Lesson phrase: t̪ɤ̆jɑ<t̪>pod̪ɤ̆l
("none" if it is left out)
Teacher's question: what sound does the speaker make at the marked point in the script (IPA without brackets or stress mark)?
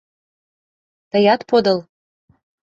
t̪